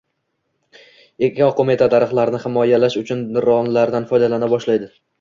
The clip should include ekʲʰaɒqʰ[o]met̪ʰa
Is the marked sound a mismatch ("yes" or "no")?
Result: no